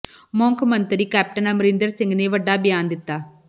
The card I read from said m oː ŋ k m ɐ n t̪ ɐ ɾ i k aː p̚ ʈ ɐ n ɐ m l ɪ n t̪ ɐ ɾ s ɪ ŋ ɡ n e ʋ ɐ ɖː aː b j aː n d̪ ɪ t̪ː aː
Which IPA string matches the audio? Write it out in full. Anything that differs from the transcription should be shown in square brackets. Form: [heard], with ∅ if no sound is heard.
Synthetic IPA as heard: m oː ŋ k m ɐ n t̪ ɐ ɾ i k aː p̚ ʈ ɐ n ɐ m [ɾ] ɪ n [d̪] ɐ ɾ s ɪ ŋ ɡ n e ʋ ɐ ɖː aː b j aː n d̪ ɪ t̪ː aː